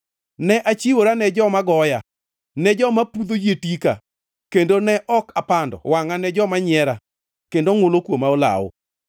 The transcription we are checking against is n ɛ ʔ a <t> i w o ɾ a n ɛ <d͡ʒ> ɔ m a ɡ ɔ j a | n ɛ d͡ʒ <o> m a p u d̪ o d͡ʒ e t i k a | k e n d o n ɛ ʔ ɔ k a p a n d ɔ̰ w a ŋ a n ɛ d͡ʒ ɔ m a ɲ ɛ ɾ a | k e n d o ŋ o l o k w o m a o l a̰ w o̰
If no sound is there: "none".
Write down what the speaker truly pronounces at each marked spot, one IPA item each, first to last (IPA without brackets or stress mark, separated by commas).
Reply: t͡ʃ, d͡ʒ, ɔ